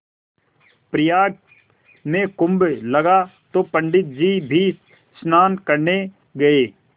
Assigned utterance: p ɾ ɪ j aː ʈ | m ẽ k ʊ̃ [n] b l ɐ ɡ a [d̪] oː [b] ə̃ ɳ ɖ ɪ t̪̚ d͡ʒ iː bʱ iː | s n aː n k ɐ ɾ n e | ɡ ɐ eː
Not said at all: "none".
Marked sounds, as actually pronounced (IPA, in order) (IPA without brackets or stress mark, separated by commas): m, t̪, p